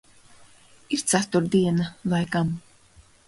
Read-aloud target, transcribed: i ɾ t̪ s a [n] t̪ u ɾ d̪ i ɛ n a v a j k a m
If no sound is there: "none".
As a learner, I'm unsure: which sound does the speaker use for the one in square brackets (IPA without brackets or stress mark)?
none